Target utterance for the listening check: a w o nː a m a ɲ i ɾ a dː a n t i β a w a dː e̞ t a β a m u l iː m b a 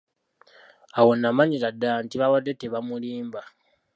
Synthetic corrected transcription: a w o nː a m a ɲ i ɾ a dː a n t i β a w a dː e̞ t e β a m u l iː m b a